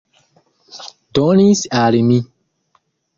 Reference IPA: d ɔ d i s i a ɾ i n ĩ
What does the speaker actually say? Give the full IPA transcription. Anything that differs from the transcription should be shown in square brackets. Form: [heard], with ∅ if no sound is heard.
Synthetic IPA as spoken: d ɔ [n] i s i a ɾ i [m] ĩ